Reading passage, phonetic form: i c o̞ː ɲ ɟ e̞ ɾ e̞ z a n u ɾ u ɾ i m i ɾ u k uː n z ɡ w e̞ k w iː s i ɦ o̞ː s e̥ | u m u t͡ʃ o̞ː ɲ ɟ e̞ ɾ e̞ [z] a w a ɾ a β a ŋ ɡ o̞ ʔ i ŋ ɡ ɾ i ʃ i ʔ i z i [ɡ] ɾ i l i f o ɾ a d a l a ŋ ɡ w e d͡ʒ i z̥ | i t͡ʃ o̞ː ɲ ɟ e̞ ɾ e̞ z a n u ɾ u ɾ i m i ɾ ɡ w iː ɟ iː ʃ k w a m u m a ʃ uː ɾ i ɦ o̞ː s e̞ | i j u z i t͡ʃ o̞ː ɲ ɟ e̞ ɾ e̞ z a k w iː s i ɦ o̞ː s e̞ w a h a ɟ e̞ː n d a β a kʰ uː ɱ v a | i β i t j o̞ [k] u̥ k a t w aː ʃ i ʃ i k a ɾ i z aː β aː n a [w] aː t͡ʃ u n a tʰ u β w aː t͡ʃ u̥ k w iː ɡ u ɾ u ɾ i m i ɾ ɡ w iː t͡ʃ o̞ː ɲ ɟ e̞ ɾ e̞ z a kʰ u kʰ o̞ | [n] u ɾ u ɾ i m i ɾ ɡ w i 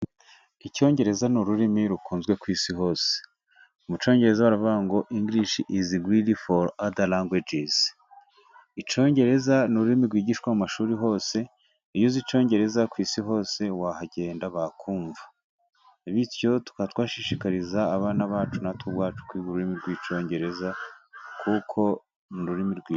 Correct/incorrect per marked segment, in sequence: correct, correct, incorrect, incorrect, correct

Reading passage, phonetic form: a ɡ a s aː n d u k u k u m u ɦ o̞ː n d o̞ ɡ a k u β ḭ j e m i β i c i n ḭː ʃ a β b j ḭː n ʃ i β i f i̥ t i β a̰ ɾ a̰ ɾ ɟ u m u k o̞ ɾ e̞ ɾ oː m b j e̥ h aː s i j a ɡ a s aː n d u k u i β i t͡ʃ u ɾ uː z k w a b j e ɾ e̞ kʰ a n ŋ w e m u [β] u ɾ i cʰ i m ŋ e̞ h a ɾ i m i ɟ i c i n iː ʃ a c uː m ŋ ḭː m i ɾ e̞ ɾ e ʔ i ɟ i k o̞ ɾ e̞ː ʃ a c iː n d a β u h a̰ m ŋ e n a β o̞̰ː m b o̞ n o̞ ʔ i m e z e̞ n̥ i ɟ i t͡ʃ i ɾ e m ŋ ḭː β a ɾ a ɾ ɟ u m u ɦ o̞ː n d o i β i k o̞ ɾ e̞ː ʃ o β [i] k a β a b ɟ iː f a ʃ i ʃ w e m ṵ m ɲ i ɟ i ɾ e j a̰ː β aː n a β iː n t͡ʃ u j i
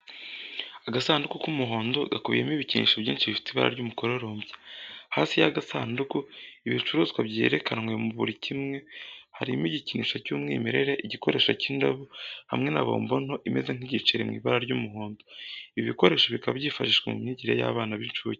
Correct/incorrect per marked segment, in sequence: correct, correct

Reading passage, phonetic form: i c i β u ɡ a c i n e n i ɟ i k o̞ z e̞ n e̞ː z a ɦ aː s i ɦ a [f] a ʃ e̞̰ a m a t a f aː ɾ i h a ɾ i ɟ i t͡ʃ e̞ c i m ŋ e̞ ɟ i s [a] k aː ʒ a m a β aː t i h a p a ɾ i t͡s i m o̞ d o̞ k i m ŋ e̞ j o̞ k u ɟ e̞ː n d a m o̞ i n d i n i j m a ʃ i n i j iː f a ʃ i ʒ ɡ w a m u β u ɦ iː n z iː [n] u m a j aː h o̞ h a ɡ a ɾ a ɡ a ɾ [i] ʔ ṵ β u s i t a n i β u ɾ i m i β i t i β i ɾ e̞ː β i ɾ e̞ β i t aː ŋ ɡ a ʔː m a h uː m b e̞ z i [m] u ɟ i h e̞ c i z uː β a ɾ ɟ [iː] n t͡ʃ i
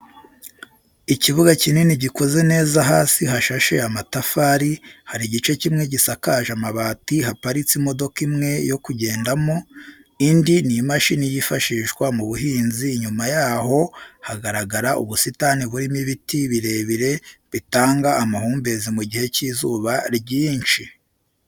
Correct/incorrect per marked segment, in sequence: incorrect, correct, incorrect, incorrect, correct, correct

